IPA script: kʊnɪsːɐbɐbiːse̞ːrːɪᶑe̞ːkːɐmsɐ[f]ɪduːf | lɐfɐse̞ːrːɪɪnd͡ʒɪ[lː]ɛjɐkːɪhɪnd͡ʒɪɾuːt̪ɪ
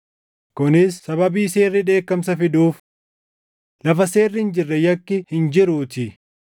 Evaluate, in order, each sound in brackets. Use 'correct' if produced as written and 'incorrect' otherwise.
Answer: correct, incorrect

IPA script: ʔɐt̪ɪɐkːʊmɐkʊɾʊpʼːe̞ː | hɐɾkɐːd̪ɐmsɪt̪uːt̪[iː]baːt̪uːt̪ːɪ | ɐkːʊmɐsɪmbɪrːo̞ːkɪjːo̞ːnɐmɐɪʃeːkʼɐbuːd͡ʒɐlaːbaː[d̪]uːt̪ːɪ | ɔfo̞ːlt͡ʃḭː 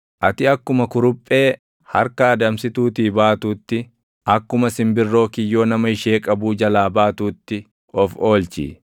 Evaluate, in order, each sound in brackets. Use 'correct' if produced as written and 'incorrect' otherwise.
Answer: correct, incorrect

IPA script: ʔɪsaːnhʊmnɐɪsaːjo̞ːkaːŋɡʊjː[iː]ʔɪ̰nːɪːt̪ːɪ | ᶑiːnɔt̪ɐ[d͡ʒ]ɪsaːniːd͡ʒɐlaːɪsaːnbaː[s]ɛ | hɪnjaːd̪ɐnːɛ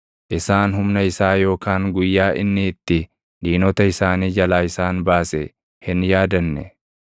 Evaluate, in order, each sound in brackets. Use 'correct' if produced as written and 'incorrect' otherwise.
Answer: incorrect, incorrect, correct

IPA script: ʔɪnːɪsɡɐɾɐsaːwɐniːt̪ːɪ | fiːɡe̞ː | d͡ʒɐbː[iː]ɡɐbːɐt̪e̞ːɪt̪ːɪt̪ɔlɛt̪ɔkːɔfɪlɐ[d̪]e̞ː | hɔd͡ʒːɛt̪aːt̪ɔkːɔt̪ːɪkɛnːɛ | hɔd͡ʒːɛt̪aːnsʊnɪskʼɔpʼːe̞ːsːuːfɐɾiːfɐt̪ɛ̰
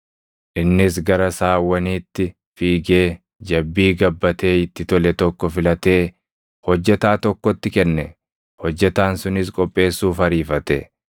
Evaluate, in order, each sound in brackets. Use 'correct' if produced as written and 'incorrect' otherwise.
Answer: correct, incorrect

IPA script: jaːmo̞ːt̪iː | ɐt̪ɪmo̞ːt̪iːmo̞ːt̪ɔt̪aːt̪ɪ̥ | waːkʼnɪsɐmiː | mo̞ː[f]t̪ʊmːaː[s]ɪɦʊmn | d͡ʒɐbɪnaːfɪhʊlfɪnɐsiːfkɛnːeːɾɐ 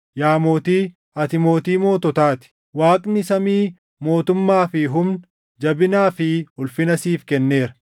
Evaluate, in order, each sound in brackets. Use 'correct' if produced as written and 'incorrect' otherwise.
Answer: incorrect, incorrect

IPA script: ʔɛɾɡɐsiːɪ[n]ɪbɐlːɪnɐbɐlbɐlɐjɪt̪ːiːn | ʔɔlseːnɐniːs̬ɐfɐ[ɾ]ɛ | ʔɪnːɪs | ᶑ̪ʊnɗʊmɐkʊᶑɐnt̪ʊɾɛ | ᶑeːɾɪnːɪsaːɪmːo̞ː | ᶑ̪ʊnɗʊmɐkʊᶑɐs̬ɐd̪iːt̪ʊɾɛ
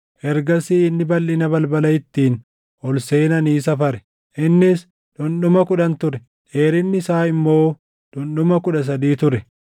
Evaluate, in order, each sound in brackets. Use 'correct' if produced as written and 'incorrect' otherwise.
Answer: incorrect, correct

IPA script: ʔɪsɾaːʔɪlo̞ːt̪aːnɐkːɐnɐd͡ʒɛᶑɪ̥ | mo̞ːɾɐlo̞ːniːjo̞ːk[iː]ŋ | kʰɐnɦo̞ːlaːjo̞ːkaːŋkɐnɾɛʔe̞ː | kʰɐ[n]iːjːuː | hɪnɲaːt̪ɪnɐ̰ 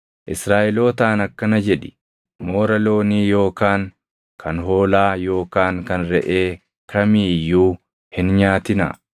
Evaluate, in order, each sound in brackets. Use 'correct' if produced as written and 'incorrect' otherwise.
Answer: incorrect, incorrect

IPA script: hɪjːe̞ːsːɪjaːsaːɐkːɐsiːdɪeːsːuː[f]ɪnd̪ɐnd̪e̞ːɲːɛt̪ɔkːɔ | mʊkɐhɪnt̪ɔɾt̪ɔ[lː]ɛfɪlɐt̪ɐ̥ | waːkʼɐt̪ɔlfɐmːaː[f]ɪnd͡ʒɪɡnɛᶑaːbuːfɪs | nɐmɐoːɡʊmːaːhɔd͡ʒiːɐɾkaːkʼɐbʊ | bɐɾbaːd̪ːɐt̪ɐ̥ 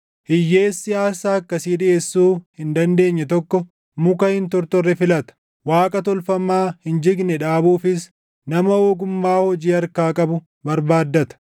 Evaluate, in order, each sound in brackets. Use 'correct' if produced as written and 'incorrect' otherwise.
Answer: incorrect, incorrect, incorrect

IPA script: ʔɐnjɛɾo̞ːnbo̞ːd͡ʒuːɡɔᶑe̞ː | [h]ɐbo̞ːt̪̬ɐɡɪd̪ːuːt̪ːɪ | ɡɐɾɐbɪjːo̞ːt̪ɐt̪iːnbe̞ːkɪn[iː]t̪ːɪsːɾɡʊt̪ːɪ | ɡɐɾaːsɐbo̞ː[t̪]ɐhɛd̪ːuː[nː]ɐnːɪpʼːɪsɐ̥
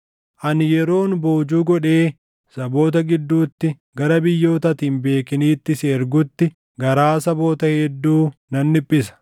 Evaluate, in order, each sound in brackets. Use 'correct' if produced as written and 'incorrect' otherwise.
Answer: incorrect, correct, correct, incorrect

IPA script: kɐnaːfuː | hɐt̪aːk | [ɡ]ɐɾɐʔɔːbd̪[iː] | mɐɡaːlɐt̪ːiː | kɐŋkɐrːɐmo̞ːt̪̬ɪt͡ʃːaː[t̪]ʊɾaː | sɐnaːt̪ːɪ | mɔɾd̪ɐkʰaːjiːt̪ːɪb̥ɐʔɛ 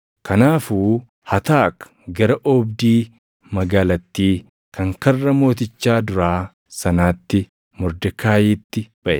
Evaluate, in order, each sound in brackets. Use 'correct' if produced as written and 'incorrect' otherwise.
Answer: correct, correct, incorrect

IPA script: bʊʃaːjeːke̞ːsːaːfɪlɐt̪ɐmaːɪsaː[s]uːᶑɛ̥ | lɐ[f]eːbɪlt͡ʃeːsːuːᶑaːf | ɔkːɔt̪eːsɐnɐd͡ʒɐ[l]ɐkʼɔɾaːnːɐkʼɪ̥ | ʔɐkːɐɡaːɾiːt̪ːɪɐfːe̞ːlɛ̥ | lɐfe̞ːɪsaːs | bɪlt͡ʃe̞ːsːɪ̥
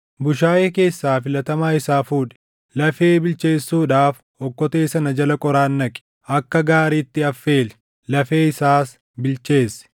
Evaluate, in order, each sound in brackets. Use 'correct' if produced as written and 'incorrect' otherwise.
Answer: incorrect, correct, correct

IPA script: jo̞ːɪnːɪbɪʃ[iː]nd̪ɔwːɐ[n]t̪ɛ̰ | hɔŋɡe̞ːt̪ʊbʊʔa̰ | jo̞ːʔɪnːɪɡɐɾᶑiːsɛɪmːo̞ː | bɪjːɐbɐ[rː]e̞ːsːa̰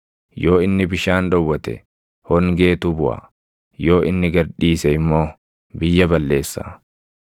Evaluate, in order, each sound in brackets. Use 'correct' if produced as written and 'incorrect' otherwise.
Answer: incorrect, incorrect, incorrect

